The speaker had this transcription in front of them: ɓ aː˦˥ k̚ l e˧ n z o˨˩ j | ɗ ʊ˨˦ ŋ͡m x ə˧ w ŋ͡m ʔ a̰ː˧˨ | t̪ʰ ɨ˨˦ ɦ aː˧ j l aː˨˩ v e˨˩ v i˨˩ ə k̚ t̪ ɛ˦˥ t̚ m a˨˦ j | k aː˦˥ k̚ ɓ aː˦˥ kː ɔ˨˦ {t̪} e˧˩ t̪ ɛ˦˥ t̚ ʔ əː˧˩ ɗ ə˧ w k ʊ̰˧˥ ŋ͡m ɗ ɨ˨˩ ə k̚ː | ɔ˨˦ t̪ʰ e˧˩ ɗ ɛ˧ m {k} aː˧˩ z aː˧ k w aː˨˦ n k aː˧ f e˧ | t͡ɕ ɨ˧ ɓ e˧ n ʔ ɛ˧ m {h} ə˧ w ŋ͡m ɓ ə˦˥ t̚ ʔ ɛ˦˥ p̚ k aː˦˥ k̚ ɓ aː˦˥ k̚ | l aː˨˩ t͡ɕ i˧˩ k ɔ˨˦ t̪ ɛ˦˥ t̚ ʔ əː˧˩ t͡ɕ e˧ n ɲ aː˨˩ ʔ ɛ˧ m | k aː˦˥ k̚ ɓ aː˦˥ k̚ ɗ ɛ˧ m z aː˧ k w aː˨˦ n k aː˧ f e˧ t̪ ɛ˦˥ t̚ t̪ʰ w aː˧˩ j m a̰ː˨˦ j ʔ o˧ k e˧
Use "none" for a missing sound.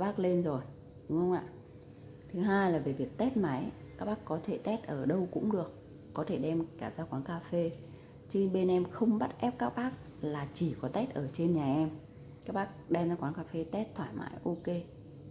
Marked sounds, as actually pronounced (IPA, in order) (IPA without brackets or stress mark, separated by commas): t̪ʰ, k, x